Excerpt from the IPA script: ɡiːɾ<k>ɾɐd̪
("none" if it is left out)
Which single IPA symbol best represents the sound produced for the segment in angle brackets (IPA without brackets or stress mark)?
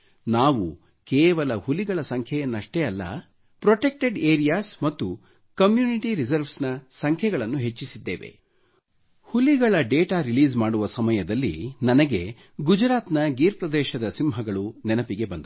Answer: p